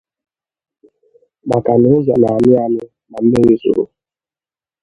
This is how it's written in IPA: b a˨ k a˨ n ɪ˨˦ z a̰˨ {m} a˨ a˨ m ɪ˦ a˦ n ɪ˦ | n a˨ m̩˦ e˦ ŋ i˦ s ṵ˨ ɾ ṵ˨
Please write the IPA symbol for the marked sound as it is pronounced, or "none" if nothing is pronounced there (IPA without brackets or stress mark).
n